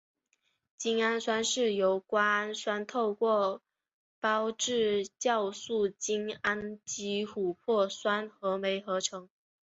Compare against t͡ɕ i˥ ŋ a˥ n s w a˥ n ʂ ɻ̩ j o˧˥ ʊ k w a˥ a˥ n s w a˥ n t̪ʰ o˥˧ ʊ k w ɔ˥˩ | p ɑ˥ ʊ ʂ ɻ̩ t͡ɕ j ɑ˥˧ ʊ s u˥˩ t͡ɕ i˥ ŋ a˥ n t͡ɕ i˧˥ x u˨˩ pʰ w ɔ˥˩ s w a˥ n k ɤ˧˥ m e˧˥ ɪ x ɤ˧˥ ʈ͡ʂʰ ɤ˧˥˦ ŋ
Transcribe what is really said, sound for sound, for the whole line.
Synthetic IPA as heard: t͡ɕ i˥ ŋ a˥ n s w a˥ n ʂ ɻ̩ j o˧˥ ʊ k w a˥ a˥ n s w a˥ n t̪ʰ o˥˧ ʊ k w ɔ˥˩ | p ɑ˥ ʊ ʈ͡ʂ ɻ̩ t͡ɕ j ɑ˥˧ ʊ s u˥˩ t͡ɕ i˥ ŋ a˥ n t͡ɕ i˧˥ x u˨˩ pʰ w ɔ˥˩ s w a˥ n x ɤ˧˥ m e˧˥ ɪ x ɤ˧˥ ʈ͡ʂʰ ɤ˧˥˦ ŋ

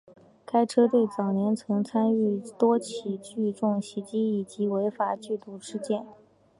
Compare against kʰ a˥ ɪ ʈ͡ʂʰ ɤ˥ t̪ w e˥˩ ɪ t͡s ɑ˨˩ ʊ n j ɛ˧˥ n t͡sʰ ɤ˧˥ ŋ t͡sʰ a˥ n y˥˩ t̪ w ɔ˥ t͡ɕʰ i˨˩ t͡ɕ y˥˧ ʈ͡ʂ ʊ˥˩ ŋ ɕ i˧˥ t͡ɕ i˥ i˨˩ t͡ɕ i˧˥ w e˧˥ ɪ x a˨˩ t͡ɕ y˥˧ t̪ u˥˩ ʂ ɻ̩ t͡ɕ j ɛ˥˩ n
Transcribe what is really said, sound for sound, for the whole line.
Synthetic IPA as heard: kʰ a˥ ɪ ʈ͡ʂʰ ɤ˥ t̪ w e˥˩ ɪ t͡s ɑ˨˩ ʊ n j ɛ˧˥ n t͡sʰ ɤ˧˥ ŋ t͡sʰ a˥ n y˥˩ t̪ w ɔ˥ t͡ɕʰ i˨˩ t͡ɕ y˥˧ ʈ͡ʂ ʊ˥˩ ŋ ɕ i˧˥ t͡ɕ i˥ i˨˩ t͡ɕ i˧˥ w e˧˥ ɪ f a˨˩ t͡ɕ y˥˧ t̪ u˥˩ ʂ ɻ̩ t͡ɕ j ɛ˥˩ n

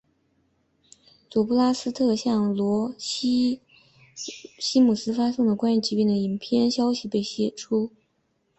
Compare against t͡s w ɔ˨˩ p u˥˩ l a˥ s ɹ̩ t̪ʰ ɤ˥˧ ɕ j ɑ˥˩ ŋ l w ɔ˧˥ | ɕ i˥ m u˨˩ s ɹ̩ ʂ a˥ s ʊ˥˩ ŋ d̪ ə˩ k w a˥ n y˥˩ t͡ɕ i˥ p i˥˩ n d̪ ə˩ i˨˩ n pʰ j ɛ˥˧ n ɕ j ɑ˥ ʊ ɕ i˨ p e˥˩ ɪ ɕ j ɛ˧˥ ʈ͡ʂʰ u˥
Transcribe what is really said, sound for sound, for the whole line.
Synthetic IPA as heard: t͡s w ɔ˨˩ p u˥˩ l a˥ s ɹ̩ t̪ʰ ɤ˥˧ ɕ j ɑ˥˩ ŋ l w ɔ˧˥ | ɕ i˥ m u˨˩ s ɹ̩ f a˥ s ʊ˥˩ ŋ d̪ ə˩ k w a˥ n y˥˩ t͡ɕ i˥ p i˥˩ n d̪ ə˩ i˨˩ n pʰ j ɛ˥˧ n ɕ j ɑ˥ ʊ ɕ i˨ p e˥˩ ɪ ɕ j ɛ˨˩ ʈ͡ʂʰ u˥

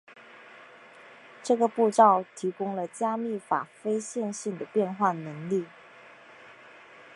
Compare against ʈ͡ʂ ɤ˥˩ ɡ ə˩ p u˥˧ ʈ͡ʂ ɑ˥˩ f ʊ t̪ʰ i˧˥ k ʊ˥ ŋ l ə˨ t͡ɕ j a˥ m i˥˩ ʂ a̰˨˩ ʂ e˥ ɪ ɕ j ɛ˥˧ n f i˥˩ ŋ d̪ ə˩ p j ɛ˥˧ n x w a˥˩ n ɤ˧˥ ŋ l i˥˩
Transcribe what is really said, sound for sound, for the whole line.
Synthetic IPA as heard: ʈ͡ʂ ɤ˥˩ ɡ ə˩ p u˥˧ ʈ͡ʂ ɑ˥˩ ʊ t̪ʰ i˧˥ k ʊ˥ ŋ l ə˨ t͡ɕ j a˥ m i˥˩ f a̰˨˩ f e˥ ɪ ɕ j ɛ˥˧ n ɕ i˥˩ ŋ d̪ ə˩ p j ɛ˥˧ n x w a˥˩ n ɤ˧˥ ŋ l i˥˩

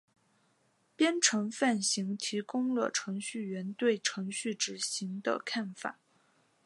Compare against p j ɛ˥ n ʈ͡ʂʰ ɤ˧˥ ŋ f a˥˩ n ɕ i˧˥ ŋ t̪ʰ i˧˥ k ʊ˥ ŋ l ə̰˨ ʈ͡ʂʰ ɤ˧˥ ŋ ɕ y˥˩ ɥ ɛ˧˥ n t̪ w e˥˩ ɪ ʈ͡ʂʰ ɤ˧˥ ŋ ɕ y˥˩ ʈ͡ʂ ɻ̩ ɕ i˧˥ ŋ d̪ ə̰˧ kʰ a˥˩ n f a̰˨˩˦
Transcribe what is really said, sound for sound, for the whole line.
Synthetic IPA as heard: p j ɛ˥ n ʈ͡ʂʰ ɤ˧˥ ŋ f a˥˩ n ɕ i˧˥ ŋ t̪ʰ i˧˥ k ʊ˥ ŋ l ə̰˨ ʈ͡ʂʰ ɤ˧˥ ŋ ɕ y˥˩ ɥ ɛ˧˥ n t̪ w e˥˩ ɪ ʈ͡ʂʰ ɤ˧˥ ŋ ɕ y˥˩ ʈ͡ʂ ɻ̩ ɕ i˧˥ ŋ d̪ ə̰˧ kʰ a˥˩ n f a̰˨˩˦

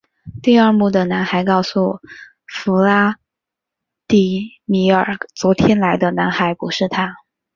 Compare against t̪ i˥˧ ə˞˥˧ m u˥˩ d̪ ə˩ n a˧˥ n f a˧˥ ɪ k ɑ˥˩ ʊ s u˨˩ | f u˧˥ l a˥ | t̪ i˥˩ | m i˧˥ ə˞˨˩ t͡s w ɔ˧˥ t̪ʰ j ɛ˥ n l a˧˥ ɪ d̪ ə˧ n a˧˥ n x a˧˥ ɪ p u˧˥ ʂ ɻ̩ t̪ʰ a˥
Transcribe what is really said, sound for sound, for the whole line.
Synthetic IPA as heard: t̪ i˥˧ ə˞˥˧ m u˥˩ d̪ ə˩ n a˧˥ n x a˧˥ ɪ k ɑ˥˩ ʊ s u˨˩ | f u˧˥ l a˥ | t̪ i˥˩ | m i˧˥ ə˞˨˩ t͡s w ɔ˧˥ t̪ʰ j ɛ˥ n l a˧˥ ɪ d̪ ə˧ n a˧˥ n x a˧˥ ɪ p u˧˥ ʂ ɻ̩ t̪ʰ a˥

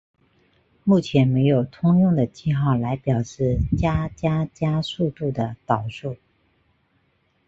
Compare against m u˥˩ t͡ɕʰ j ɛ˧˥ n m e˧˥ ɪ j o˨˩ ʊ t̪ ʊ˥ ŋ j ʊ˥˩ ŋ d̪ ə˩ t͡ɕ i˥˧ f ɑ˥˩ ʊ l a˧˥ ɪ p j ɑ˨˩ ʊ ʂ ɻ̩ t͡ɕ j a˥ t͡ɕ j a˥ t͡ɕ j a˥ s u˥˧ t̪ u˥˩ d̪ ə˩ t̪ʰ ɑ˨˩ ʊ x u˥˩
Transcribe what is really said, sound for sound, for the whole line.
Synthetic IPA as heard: m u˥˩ t͡ɕʰ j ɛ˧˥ n m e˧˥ ɪ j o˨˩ ʊ t̪ʰ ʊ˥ ŋ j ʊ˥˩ ŋ d̪ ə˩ t͡ɕ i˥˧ x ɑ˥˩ ʊ l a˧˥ ɪ p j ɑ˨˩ ʊ ʂ ɻ̩ t͡ɕ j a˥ t͡ɕ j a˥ t͡ɕ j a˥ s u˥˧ t̪ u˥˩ d̪ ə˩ t̪ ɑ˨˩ ʊ ʂ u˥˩

